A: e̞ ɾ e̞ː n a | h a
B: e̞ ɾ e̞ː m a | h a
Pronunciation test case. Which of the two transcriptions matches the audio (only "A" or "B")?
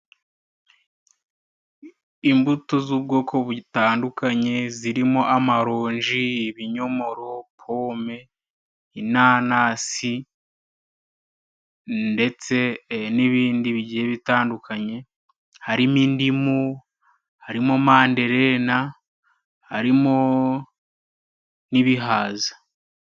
A